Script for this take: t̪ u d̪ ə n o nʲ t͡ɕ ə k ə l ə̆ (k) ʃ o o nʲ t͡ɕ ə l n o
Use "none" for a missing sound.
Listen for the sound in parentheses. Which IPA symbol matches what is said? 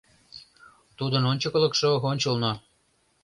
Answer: k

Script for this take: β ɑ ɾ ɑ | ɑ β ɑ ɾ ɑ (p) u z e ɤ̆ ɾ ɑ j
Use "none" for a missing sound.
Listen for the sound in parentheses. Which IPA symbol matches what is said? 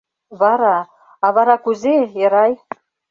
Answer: k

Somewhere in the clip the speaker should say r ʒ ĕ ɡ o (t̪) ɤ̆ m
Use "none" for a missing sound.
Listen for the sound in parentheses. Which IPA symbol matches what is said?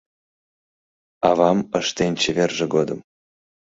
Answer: d̪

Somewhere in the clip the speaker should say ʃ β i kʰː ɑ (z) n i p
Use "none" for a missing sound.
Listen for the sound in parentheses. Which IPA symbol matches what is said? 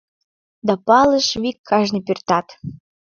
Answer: ʒ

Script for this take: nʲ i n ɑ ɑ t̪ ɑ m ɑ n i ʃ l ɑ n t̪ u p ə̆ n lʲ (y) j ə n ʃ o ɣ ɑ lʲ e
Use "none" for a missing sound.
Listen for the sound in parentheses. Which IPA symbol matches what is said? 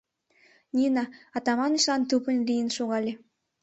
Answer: i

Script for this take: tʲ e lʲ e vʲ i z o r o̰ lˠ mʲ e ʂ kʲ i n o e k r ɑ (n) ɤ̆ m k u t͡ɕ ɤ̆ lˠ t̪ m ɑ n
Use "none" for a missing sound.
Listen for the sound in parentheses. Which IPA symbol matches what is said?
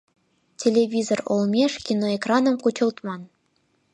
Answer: n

